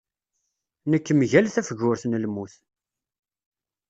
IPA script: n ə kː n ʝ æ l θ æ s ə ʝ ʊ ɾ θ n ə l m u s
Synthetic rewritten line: n ə kː m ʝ æ l θ æ f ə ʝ ʊ ɾ θ n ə l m u θ